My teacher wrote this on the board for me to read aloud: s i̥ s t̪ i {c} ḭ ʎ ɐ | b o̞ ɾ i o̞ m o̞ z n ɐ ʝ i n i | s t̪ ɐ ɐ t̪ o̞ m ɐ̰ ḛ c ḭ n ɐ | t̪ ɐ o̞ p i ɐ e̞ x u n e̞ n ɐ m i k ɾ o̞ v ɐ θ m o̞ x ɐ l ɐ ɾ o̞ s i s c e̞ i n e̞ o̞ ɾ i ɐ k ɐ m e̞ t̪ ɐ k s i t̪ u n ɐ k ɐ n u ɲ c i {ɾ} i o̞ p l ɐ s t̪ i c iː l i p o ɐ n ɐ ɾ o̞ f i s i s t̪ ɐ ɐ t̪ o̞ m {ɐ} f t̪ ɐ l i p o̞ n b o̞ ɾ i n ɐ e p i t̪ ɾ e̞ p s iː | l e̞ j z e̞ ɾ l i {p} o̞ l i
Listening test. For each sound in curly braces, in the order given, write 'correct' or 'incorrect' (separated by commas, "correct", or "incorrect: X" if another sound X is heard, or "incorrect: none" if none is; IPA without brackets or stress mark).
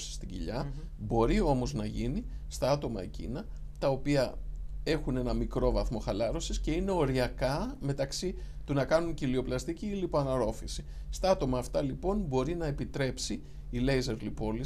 incorrect: ɟ, incorrect: l, incorrect: ɐː, correct